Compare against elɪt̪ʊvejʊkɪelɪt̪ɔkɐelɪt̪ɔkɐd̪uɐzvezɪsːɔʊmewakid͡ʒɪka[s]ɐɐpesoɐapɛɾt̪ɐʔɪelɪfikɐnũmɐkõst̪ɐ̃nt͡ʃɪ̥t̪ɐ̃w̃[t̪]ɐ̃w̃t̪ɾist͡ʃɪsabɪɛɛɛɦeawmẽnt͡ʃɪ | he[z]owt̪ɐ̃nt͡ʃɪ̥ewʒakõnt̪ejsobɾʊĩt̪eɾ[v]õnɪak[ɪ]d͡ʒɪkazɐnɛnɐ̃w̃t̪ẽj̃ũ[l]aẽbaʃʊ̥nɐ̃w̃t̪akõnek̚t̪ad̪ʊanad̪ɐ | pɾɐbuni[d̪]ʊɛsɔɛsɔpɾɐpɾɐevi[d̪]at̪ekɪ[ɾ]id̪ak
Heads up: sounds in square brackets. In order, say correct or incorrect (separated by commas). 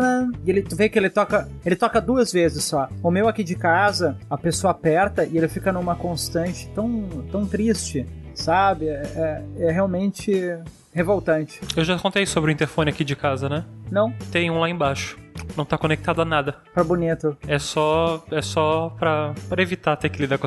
incorrect, correct, incorrect, incorrect, incorrect, correct, incorrect, incorrect, incorrect